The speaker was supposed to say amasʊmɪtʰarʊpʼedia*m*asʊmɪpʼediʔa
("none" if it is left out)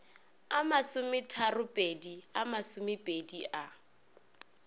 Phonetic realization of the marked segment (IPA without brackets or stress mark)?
m